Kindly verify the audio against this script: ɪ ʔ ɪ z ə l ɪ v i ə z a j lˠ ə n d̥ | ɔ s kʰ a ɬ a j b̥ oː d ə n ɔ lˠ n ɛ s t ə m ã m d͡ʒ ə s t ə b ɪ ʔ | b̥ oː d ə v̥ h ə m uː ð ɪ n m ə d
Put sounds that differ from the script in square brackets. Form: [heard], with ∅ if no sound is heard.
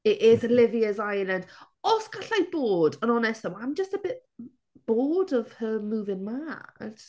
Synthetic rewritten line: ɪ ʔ ɪ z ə l ɪ v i ə z a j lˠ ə n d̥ | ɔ s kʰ a ɬ a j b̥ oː d ə n ɔ [∅] n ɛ s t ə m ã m d͡ʒ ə s t ə b ɪ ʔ | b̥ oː d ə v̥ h ə m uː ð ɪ n m [a] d